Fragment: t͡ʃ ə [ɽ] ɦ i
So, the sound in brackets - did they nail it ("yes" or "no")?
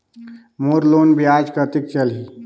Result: no